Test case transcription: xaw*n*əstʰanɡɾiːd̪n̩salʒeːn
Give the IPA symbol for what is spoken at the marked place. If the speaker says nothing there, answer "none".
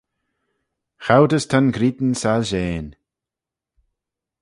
d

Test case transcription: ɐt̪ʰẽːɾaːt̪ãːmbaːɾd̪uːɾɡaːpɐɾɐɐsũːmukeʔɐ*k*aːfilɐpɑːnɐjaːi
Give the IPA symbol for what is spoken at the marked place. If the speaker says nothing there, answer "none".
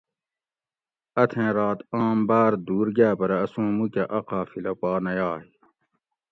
q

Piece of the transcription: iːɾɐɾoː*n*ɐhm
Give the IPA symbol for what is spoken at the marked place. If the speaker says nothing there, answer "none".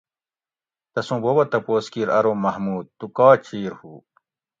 m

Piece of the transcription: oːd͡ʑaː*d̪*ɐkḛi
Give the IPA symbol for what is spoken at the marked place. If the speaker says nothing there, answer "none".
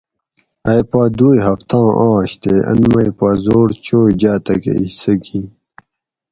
t̪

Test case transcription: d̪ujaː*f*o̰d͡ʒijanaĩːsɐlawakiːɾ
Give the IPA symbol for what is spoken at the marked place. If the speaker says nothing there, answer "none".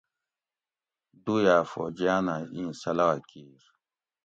f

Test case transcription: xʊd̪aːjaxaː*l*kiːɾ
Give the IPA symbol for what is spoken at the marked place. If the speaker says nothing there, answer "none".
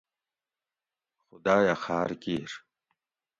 ɾ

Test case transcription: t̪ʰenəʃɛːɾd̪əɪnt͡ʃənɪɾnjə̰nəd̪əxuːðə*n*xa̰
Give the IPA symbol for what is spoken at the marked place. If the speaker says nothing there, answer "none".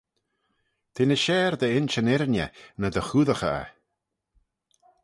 none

